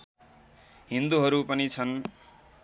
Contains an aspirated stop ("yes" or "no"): yes